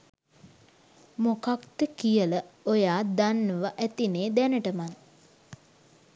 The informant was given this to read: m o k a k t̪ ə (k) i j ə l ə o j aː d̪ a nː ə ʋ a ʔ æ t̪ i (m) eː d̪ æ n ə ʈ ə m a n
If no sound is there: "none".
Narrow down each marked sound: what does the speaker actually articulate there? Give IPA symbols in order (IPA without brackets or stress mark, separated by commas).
k, n